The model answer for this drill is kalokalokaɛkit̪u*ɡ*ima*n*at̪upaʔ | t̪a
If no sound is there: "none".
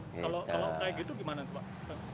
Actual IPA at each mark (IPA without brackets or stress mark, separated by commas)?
ɡ, n